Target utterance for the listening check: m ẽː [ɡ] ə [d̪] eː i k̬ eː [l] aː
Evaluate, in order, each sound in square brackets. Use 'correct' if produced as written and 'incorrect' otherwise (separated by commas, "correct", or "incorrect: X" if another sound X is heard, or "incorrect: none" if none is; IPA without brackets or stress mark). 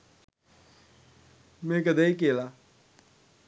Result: incorrect: k, correct, correct